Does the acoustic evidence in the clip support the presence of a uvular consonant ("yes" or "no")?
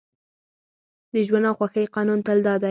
yes